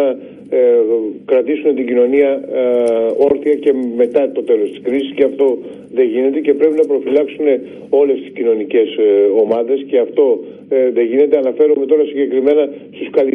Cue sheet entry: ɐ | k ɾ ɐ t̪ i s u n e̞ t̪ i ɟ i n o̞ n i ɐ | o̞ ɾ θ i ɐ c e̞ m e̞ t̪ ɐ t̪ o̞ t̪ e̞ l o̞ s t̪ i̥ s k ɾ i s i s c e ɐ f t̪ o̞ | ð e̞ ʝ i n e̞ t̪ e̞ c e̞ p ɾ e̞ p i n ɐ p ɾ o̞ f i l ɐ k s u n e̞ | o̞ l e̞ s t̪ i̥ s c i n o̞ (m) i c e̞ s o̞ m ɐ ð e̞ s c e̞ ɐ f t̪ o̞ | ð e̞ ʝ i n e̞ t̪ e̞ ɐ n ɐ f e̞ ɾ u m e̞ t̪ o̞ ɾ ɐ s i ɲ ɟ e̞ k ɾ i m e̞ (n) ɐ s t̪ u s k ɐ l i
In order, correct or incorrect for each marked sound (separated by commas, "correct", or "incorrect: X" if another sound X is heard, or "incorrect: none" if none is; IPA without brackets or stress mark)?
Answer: incorrect: n, correct